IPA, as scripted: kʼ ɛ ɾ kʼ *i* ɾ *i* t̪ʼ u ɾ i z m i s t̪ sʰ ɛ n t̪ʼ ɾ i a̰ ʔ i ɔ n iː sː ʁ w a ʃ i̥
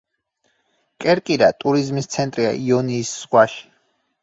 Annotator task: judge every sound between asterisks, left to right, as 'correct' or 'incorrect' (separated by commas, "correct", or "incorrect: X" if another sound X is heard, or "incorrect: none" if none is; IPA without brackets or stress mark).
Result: correct, incorrect: a